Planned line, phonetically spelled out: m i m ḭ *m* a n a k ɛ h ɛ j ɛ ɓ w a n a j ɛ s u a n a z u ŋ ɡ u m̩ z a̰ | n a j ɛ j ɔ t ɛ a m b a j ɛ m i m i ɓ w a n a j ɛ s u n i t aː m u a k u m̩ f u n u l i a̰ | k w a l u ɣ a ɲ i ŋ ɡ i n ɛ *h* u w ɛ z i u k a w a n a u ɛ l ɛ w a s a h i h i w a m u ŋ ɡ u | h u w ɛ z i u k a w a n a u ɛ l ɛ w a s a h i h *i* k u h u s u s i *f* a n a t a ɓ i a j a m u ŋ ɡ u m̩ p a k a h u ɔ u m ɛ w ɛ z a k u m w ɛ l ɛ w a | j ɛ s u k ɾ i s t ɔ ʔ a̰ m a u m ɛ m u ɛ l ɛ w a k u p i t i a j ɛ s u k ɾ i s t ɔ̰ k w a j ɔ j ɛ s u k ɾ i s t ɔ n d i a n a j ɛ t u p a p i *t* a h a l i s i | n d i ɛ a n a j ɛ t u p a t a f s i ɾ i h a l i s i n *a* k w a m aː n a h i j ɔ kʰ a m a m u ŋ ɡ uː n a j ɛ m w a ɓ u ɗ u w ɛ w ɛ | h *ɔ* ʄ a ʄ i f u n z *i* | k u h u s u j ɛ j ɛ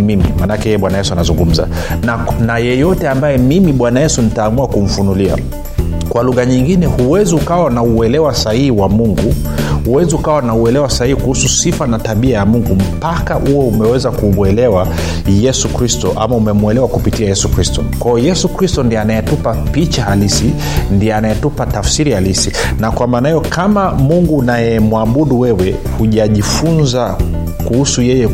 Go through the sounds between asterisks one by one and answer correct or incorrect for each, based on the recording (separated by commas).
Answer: correct, correct, correct, correct, incorrect, correct, incorrect, incorrect